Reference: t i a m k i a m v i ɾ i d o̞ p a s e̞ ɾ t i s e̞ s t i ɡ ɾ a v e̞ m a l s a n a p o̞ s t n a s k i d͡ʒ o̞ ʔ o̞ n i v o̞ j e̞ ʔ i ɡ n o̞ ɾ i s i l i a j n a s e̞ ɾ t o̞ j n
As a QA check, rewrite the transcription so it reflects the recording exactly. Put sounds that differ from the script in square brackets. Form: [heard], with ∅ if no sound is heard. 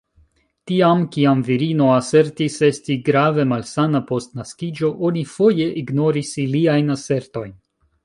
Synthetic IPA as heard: t i a m k i a m v i ɾ i [n] o̞ [∅] a s e̞ ɾ t i s e̞ s t i ɡ ɾ a v e̞ m a l s a n a p o̞ s t n a s k i d͡ʒ o̞ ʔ o̞ n i [f] o̞ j e̞ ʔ i ɡ n o̞ ɾ i s i l i a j n a s e̞ ɾ t o̞ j n